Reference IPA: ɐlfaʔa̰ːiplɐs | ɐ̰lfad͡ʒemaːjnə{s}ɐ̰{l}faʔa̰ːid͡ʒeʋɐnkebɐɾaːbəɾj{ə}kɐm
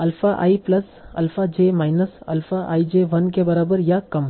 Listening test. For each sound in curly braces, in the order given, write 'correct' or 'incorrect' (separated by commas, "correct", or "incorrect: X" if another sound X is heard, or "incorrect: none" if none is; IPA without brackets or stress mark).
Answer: correct, correct, incorrect: a